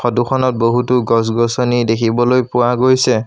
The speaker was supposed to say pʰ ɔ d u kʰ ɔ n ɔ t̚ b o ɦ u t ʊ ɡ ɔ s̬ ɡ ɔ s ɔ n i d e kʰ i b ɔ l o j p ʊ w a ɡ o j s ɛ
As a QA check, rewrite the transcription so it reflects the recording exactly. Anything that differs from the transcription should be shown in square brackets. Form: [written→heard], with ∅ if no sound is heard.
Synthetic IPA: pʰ ɔ d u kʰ ɔ n ɔ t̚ b o ɦ u t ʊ ɡ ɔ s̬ ɡ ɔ s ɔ n i d e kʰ i b ɔ l o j p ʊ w a ɡ o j s ɛ

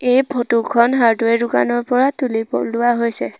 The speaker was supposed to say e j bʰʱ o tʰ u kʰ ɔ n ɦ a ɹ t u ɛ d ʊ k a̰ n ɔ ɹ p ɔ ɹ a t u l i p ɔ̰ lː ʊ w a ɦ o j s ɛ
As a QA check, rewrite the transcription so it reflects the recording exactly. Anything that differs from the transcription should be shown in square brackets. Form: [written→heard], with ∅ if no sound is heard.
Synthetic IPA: e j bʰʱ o [tʰ→t] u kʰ ɔ n ɦ a ɹ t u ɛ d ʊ k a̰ n ɔ ɹ p ɔ ɹ a t u l i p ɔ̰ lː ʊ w a ɦ o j s ɛ

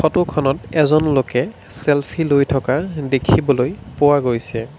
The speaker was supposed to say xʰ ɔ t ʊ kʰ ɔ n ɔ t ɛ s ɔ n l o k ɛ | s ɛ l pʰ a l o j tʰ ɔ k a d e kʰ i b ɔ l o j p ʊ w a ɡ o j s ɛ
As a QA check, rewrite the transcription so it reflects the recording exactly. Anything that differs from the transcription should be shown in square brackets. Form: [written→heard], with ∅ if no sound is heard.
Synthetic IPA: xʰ ɔ t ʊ kʰ ɔ n ɔ t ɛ [s→z] ɔ n l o k ɛ | s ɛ l pʰ [a→i] l o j tʰ ɔ k a d e kʰ i b ɔ l o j p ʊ w a ɡ o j s ɛ

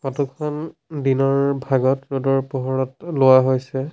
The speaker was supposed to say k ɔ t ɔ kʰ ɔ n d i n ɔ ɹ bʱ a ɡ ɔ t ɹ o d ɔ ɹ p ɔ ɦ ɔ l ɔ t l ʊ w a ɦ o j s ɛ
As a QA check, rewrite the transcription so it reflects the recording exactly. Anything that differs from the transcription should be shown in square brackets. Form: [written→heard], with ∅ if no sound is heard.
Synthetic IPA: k ɔ t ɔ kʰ ɔ n d i n ɔ ɹ bʱ a ɡ ɔ t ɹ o d ɔ ɹ p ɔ ɦ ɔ [l→ɹ] ɔ t l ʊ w a ɦ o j s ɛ

